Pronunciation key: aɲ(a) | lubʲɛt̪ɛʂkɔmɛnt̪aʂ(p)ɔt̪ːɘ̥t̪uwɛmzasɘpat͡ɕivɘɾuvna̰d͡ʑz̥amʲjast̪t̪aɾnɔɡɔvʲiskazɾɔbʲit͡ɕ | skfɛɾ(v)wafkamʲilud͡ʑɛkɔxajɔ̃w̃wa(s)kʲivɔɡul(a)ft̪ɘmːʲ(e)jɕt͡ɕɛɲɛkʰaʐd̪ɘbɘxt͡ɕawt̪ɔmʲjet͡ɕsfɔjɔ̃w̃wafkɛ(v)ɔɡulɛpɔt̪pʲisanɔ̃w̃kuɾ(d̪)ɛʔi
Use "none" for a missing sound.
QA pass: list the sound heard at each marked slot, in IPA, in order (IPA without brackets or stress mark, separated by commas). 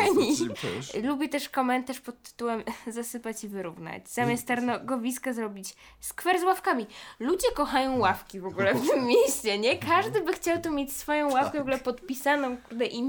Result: i, p, z, f, ɛ, e, v, d̪